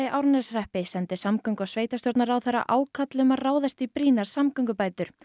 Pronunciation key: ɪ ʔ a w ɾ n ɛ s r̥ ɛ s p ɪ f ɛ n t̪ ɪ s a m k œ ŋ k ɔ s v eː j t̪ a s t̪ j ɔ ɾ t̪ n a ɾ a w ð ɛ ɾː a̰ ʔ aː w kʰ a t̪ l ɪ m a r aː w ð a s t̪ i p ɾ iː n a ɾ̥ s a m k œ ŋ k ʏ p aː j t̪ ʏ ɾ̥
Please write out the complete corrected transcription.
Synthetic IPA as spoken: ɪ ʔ a w ɾ n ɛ s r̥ ɛ h p ɪ s ɛ n t̪ ɪ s a m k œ ŋ k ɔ s v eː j t̪ a s t̪ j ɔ ɾ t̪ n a ɾ a w θ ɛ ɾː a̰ ʔ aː w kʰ a t̪ l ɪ m a r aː w ð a s t̪ i p ɾ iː n a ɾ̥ s a m k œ ŋ k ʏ p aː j t̪ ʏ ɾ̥

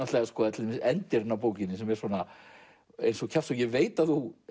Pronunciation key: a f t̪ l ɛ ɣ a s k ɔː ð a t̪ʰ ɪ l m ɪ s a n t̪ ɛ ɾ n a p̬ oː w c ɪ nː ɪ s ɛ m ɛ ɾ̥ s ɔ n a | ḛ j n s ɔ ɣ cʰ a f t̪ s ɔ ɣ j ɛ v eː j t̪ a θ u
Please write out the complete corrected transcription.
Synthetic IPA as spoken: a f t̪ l ɛ ɣ a s k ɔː ð a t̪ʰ ɪ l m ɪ s ɛ n t̪ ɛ ɾ n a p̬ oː w c ɪ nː ɪ s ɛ m ɛ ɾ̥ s ɔ n a | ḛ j n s ɔ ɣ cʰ a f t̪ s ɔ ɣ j ɛ v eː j t̪ a θ u

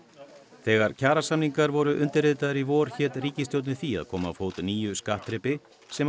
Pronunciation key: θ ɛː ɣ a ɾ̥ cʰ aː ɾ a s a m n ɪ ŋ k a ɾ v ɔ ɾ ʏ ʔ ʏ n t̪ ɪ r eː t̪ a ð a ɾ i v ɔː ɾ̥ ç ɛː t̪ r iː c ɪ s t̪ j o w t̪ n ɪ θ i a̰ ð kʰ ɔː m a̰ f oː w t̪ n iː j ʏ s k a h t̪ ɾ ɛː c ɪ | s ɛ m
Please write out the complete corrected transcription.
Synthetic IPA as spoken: θ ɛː ɣ a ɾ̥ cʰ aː ɾ a s a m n i ŋ k a ɾ v ɔ ɾ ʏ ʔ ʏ n t̪ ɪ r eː t̪ a ð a ɾ i v ɔː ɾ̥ ç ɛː t̪ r iː c ɪ s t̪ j o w t̪ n ɪ θ i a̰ ð kʰ ɔː m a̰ f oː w t̪ n iː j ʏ s k a h t̪ ɾ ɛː p ɪ | s ɛ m

